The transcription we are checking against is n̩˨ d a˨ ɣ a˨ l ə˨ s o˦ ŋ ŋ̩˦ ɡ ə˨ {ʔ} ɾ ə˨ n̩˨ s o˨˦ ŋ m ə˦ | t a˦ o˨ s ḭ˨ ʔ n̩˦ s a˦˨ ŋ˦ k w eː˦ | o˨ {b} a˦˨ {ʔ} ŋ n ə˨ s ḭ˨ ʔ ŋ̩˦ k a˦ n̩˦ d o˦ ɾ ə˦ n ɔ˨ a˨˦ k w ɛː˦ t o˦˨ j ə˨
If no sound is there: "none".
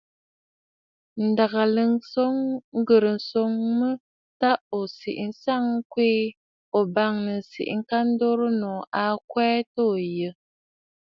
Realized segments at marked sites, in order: none, b, none

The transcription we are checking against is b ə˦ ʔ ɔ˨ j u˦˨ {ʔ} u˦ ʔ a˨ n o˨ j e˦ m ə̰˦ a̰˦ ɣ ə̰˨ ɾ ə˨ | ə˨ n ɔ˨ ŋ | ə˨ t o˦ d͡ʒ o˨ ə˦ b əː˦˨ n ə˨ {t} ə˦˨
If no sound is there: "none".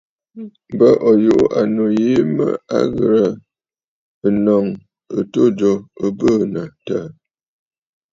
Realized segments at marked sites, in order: ʔ, t

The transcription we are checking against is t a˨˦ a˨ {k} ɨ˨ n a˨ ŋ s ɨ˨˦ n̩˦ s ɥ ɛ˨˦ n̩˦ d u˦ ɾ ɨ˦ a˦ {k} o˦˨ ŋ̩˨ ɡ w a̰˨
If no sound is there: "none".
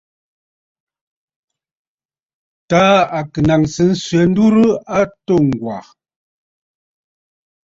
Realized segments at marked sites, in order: k, t

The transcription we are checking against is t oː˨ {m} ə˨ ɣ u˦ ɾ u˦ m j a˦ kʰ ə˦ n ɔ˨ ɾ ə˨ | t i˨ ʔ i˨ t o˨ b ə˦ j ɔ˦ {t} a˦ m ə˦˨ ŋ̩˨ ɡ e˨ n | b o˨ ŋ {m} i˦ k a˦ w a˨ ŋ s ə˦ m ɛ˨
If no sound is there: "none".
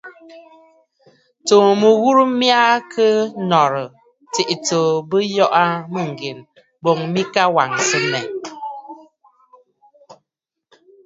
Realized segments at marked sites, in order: m, ʔ, m

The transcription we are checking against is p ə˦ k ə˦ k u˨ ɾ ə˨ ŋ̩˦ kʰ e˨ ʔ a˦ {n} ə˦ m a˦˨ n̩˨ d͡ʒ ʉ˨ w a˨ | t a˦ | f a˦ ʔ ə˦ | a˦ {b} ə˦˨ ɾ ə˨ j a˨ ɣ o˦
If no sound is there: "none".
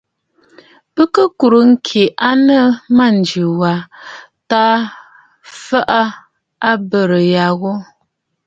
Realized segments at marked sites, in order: n, b

